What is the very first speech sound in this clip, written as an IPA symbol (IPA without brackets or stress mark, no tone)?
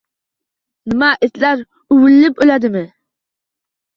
n